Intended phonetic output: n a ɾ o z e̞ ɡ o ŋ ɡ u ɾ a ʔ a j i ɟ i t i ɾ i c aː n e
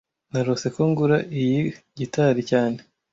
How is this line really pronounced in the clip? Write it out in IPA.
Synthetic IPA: n a ɾ o s e̞ k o ŋ ɡ u ɾ a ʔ i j i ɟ i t a ɾ i c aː n e